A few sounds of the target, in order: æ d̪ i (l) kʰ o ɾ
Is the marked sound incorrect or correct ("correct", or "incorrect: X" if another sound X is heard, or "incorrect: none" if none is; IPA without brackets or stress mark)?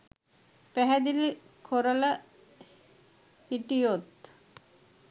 correct